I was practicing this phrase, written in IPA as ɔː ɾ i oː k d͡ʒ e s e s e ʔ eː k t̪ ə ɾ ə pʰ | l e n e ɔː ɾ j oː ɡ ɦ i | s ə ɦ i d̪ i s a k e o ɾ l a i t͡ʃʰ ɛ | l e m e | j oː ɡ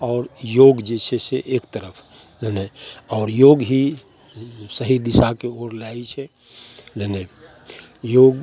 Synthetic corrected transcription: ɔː ɾ j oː ɡ d͡ʒ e s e s e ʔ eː k t̪ ə ɾ ə pʰ | l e n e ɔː ɾ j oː ɡ ɦ i | s ə ɦ i d̪ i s a k e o ɾ l a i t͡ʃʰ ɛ | l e n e | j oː ɡ